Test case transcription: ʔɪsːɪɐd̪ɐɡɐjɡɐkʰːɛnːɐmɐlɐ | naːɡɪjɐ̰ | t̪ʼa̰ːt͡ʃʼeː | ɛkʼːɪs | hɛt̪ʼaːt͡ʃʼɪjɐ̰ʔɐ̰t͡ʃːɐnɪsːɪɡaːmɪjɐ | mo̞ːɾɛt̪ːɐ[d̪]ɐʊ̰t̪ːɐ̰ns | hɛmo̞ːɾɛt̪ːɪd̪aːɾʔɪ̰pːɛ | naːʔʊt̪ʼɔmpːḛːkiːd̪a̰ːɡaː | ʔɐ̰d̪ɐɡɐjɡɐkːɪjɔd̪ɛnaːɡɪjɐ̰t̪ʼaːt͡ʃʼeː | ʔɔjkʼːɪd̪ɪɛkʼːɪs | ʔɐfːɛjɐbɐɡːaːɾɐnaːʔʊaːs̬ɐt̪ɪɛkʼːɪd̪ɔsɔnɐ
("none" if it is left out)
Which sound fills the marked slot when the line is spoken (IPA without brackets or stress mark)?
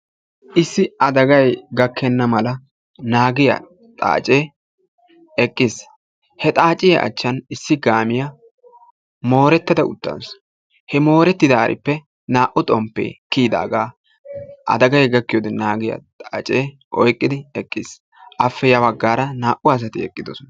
d̪